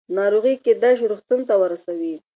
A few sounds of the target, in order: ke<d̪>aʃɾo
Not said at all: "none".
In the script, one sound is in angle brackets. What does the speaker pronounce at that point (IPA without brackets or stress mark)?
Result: d̪